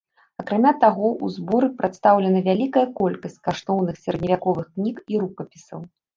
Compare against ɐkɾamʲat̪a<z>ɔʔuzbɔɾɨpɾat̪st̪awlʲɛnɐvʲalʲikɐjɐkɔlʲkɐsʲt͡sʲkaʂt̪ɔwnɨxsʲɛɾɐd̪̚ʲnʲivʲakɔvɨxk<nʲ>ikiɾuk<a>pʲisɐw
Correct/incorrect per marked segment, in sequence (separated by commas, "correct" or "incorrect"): incorrect, correct, incorrect